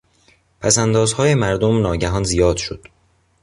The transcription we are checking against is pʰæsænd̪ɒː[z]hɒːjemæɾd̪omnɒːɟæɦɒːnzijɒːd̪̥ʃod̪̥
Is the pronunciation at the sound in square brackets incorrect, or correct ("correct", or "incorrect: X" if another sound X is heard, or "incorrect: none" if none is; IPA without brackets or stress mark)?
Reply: correct